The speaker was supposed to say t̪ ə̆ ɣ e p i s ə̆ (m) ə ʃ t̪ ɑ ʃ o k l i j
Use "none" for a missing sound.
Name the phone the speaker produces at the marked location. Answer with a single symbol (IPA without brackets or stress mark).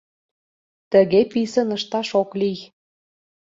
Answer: n